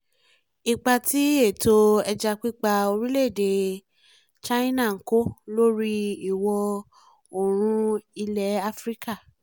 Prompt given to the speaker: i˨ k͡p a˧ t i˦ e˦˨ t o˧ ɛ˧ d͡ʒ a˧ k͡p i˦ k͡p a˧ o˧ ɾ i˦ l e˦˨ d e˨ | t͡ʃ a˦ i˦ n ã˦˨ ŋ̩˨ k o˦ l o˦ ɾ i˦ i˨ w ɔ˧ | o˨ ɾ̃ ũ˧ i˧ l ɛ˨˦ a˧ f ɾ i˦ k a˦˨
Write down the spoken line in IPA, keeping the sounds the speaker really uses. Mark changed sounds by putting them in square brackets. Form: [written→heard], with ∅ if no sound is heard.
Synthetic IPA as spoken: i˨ k͡p a˧ t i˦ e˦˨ t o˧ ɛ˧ d͡ʒ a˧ k͡p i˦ k͡p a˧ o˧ ɾ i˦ l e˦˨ d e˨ | t͡ʃ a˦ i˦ n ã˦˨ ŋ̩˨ k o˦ l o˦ ɾ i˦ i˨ w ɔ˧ | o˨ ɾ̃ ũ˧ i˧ l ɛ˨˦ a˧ f ɾ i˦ k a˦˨

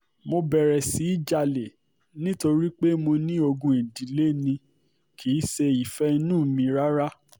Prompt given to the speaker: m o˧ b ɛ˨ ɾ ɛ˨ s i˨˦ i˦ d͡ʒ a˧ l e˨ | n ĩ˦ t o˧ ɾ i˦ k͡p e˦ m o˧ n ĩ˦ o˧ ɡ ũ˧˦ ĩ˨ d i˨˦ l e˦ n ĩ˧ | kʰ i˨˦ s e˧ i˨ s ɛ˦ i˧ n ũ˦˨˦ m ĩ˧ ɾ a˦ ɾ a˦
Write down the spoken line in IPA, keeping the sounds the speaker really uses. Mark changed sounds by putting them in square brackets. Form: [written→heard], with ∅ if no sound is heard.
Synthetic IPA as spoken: m o˧ b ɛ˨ ɾ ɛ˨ s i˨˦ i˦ d͡ʒ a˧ l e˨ | n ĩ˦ t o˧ ɾ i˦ k͡p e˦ m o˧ n ĩ˦ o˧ ɡ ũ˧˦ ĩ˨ d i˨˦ l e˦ n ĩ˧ | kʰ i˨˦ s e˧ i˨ [s→f] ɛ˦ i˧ n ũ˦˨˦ m ĩ˧ ɾ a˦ ɾ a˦

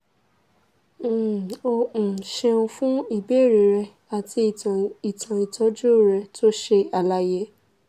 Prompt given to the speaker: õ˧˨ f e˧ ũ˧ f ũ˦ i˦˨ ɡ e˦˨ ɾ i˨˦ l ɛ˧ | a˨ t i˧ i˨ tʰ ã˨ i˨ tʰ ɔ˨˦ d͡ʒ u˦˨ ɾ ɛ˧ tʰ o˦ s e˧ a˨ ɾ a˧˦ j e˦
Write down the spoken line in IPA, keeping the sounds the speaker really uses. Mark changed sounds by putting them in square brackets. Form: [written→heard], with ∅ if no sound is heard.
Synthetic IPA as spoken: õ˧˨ [f→ʃ] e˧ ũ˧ f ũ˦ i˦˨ [ɡ→b] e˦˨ ɾ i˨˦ [l→ɾ] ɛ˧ | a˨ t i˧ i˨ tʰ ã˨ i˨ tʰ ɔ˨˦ d͡ʒ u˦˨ ɾ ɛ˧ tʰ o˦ [s→ʃ] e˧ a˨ [ɾ→l] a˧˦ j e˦

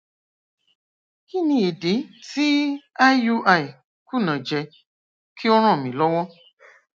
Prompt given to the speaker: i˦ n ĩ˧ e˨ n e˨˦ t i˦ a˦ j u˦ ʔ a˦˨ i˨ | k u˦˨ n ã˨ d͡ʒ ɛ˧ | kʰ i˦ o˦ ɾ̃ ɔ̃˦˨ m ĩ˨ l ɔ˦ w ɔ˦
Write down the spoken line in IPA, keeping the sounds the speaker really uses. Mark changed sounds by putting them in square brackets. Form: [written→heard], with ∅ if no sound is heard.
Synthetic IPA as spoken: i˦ n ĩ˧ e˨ [n→d] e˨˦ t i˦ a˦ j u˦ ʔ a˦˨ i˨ | k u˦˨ n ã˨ d͡ʒ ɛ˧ | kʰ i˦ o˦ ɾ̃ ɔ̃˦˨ m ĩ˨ l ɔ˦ w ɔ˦

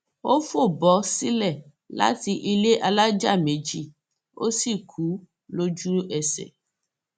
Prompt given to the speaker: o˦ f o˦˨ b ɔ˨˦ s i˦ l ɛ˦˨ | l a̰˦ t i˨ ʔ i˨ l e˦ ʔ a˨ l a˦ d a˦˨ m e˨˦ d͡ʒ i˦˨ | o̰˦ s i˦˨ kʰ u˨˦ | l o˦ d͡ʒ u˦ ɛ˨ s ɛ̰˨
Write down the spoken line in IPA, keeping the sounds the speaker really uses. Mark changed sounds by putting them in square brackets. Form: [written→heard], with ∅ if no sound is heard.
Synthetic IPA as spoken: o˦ f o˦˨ b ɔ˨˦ s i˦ l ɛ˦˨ | l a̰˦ t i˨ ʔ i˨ l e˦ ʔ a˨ l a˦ [d→d͡ʒ] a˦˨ m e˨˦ d͡ʒ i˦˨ | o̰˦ s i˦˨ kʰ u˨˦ | l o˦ d͡ʒ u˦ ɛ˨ s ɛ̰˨

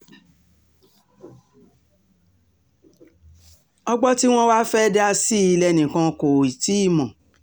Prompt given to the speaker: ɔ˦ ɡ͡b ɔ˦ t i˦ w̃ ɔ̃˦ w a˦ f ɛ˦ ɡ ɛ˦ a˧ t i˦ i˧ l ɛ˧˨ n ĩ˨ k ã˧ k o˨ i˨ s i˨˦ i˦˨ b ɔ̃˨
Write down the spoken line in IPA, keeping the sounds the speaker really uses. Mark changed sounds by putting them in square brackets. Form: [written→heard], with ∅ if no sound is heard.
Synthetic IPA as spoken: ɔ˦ ɡ͡b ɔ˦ t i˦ w̃ ɔ̃˦ w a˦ f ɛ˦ [ɡ→d] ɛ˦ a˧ [t→s] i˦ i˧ l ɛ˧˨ n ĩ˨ k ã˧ k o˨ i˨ [s→t] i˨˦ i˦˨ [b→m] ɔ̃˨

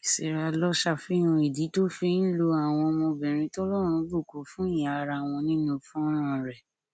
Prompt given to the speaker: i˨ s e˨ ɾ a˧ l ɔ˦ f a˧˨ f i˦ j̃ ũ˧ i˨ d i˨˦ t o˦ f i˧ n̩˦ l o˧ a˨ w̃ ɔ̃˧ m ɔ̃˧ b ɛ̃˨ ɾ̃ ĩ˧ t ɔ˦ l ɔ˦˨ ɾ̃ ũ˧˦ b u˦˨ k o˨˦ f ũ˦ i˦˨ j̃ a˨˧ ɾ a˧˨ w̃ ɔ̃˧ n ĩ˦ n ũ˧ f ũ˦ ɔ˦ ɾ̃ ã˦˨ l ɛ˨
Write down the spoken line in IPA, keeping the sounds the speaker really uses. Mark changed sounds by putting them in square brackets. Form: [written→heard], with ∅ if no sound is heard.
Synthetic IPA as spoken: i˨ s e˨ ɾ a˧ l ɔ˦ [f→ʃ] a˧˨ f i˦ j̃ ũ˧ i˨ d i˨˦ t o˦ f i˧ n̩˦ l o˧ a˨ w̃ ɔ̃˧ m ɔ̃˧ b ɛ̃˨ ɾ̃ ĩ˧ t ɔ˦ l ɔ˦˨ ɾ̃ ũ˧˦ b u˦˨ k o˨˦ f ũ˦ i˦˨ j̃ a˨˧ ɾ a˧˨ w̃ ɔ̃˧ n ĩ˦ n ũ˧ f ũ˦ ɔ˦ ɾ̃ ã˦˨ [l→ɾ] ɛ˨

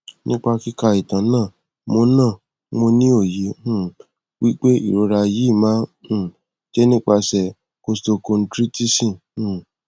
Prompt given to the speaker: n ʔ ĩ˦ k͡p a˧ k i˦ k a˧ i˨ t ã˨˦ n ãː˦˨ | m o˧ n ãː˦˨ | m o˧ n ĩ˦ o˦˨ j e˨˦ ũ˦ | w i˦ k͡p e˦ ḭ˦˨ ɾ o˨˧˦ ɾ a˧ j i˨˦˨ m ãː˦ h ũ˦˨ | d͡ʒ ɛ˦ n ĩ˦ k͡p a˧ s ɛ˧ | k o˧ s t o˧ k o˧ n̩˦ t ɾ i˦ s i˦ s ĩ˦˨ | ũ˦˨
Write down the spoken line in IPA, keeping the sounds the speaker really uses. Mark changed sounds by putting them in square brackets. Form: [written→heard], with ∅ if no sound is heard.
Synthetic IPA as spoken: n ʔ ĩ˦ k͡p a˧ k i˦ k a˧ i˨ t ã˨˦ n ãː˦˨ | m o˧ n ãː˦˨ | m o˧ n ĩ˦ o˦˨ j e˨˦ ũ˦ | w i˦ k͡p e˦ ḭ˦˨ ɾ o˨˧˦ ɾ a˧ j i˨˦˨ m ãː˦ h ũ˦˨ | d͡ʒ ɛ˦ n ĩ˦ k͡p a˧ s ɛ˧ | k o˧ s t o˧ k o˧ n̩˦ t ɾ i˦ [s→t] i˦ s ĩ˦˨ | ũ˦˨

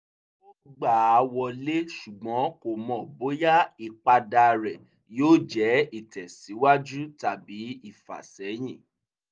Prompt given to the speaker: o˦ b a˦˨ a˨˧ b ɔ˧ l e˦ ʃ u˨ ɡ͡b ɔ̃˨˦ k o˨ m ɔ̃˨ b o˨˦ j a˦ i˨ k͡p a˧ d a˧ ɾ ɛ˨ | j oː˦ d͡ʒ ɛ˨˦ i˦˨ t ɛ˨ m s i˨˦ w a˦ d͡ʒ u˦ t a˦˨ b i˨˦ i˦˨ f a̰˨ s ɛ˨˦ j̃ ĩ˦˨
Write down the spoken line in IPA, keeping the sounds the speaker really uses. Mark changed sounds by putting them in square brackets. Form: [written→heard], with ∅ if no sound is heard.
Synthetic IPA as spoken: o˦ [b→ɡ͡b] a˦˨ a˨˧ [b→w] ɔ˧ l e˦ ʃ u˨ ɡ͡b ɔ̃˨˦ k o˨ m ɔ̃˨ b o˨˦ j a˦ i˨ k͡p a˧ d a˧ ɾ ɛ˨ | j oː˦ d͡ʒ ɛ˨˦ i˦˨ t ɛ˨ [m→∅] s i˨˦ w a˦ d͡ʒ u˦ t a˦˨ b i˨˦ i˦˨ f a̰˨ s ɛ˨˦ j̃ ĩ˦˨

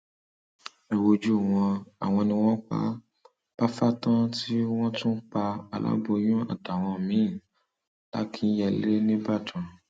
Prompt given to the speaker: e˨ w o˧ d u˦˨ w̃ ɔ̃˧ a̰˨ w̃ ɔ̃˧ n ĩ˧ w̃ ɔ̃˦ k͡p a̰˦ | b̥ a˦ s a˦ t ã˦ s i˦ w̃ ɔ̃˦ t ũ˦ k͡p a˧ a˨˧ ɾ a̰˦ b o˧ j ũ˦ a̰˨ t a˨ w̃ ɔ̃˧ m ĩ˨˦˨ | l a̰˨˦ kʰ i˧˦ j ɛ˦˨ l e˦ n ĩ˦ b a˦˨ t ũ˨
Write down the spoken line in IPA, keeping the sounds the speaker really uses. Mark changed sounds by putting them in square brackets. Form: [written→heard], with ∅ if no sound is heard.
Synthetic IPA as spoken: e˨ w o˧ [d→d͡ʒ] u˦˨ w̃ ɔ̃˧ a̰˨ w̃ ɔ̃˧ n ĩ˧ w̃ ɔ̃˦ k͡p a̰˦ | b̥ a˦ [s→f] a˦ t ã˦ [s→t] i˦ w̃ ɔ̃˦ t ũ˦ k͡p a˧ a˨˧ [ɾ→l] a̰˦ b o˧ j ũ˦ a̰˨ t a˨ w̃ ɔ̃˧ m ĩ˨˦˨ | l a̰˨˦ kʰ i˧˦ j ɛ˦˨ l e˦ n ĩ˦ b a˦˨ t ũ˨

